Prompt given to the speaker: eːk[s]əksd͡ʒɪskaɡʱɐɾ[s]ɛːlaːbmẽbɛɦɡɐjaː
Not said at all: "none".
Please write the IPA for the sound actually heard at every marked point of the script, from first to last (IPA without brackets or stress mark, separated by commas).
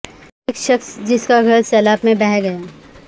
ʃ, s